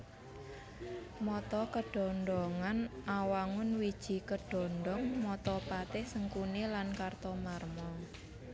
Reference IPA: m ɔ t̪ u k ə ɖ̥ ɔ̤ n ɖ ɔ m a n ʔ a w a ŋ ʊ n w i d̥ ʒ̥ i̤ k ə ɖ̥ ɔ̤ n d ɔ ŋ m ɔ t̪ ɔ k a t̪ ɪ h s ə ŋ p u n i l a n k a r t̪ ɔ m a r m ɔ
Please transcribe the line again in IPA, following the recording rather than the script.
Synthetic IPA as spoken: m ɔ t̪ ɔ k ə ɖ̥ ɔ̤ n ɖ ɔ ŋ a n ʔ a w a ŋ ʊ n w i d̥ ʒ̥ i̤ k ə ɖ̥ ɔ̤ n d ɔ ŋ m ɔ t̪ ɔ p a t̪ ɪ h s ə ŋ k u n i l a n k a r t̪ ɔ m a r m ɔ